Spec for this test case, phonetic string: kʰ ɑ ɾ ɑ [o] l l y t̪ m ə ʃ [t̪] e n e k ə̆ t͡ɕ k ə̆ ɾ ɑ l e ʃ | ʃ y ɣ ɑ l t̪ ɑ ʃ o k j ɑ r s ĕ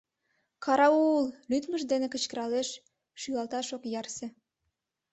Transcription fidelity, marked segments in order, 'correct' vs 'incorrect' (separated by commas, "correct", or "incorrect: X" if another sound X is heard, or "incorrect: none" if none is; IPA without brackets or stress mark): incorrect: u, incorrect: d̪